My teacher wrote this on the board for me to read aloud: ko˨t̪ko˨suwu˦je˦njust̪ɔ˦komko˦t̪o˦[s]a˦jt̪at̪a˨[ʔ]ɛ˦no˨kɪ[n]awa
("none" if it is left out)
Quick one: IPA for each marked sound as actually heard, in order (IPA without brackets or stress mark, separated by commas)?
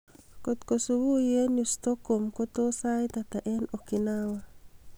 s, ʔ, n